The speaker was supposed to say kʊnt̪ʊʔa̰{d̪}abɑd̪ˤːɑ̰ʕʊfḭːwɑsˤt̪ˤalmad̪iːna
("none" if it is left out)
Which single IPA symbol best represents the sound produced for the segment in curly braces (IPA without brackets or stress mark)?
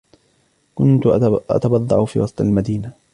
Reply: t̪